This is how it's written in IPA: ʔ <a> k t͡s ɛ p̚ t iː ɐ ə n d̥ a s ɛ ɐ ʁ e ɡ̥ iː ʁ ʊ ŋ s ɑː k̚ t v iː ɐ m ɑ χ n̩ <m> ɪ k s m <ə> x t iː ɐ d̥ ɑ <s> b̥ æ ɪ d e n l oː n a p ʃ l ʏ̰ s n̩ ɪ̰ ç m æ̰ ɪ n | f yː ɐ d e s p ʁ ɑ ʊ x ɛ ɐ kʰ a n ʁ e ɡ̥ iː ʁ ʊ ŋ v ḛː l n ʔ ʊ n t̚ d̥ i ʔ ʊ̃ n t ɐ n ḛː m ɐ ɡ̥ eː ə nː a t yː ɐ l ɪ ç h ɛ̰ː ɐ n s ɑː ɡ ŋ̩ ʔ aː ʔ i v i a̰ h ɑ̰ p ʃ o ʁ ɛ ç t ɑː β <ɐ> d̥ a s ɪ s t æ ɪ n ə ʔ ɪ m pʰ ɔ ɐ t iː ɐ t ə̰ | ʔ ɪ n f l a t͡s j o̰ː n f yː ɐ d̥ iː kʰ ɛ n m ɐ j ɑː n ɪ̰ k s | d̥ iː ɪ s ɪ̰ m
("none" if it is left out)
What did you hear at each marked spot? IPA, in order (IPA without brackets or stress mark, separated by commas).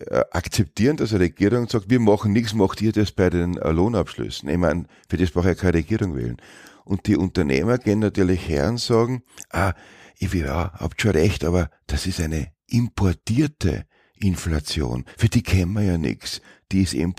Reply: a, n, ɑ, s, ɐ